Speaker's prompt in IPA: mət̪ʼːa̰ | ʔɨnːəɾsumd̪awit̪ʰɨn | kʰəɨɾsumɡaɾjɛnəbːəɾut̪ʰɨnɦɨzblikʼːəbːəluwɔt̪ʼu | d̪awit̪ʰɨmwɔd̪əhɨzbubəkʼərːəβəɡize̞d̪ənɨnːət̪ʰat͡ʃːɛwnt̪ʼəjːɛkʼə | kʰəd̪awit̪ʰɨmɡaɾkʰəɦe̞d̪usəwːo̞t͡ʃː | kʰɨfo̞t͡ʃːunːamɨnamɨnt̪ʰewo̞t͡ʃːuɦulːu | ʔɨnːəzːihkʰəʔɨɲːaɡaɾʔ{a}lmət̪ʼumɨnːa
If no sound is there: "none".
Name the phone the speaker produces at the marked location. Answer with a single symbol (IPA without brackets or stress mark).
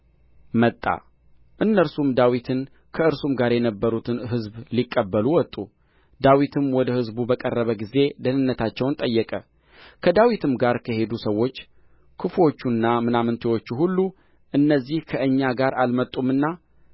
a